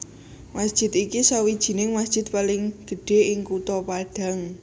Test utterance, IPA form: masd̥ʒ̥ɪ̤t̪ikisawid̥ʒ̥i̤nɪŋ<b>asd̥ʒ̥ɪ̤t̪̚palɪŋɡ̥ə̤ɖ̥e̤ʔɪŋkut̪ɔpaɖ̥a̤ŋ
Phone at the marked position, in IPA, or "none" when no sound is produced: m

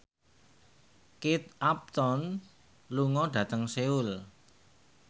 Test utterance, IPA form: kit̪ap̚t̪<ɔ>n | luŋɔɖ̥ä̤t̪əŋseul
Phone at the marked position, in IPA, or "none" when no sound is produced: ɔ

